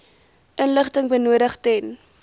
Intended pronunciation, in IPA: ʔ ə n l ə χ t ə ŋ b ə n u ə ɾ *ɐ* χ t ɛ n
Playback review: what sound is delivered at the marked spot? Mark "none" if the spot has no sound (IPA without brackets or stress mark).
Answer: ə